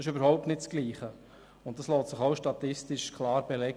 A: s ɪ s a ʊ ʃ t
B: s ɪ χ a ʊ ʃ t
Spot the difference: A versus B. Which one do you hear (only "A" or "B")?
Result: B